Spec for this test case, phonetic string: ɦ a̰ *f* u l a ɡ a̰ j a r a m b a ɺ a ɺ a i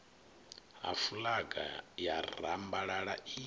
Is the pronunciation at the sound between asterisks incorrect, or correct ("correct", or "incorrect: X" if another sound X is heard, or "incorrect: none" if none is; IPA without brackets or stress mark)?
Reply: correct